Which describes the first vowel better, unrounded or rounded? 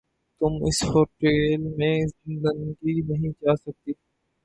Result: rounded